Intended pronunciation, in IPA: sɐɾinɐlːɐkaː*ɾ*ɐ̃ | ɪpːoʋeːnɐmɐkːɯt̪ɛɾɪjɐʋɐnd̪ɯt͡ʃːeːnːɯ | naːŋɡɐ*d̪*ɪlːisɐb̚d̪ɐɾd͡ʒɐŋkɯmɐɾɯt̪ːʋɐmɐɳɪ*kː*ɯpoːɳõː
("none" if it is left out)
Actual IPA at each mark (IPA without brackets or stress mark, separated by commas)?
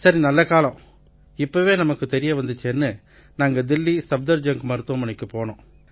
l, d̪, kː